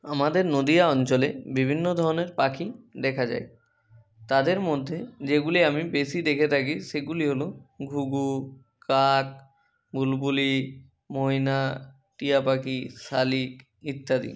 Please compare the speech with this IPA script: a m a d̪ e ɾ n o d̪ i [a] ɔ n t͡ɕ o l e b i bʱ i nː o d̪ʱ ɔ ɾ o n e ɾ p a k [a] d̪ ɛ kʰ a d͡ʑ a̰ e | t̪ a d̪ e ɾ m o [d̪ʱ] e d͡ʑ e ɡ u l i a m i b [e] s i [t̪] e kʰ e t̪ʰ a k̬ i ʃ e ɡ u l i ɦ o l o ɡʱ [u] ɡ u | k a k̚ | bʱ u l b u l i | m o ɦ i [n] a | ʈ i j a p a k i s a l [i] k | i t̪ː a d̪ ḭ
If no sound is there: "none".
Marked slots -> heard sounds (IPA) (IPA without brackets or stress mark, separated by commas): a, i, d̪ʱː, e, d̪, u, n, i